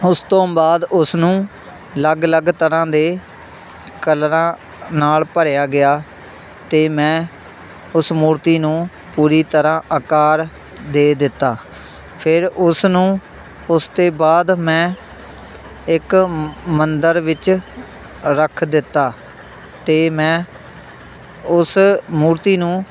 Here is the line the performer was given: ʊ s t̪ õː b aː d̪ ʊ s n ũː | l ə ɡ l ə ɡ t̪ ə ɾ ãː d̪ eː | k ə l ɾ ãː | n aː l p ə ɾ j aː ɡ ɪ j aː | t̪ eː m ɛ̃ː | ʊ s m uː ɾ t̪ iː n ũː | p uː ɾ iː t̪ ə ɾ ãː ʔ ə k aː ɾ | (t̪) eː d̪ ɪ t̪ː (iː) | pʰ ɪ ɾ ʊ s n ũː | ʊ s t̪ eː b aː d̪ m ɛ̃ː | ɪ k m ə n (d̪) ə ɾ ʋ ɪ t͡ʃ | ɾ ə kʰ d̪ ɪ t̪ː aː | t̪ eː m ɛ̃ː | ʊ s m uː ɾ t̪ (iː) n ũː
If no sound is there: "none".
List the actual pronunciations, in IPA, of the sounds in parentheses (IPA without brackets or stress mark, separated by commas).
d̪, aː, d̪, iː